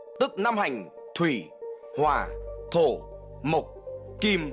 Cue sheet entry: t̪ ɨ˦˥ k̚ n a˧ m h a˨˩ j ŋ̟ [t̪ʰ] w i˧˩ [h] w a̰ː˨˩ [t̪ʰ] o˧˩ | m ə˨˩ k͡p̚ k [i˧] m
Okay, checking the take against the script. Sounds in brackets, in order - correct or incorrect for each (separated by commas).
correct, correct, correct, correct